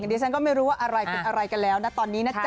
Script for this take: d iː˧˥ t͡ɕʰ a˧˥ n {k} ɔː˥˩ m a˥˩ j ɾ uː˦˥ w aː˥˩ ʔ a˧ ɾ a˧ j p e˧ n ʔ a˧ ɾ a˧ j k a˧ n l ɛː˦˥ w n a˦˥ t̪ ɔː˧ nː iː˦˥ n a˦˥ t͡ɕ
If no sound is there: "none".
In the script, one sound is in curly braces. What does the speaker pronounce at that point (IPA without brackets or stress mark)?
k